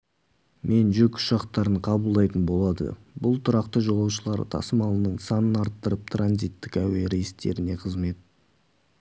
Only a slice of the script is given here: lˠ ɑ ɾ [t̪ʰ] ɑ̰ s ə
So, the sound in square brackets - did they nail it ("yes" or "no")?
yes